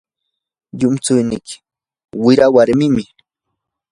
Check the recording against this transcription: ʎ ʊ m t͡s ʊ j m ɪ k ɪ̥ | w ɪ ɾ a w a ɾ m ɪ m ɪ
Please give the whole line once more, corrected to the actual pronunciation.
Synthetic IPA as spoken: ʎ ʊ m t͡s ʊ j n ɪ k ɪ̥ | w ɪ ɾ a w a ɾ m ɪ m ɪ